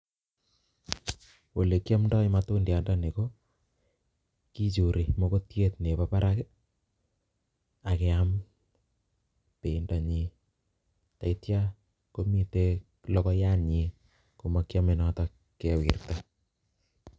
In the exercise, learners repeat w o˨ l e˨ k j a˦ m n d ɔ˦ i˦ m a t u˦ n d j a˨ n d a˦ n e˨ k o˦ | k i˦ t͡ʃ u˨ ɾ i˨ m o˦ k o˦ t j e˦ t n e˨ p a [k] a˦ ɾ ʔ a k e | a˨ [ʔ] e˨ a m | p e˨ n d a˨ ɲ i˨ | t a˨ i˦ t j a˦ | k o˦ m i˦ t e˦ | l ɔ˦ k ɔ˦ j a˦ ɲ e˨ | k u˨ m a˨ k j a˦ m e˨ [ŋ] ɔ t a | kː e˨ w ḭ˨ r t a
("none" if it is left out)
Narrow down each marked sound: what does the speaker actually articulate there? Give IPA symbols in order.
p, k, n

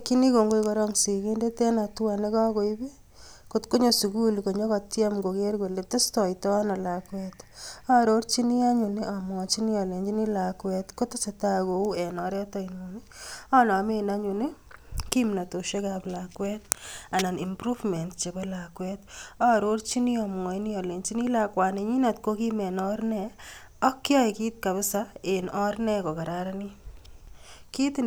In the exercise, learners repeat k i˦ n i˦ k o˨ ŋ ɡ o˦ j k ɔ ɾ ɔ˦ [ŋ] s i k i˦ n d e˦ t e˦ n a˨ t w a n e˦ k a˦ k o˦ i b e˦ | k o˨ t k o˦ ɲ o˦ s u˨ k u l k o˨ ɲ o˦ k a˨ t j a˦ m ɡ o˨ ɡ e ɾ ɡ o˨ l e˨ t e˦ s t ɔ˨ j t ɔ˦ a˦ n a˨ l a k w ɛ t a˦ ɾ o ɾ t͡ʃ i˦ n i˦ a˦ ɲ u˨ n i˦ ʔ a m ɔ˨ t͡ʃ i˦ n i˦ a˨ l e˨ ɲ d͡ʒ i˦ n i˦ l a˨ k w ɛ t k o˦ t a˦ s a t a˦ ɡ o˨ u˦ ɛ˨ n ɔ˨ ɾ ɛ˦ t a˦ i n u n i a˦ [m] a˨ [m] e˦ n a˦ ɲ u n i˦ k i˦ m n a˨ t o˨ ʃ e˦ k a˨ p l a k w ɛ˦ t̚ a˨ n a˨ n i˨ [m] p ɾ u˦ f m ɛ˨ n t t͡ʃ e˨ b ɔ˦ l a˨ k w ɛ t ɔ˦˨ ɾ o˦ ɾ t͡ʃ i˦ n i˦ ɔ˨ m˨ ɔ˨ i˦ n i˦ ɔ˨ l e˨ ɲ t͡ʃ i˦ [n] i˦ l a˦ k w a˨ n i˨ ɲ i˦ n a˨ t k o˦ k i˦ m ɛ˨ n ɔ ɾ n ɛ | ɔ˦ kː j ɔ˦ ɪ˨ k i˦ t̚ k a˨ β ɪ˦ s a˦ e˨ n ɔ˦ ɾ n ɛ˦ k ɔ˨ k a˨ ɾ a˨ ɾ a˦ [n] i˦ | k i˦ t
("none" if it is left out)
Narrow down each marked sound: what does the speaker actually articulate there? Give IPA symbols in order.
ŋ, n, m, m, n, n

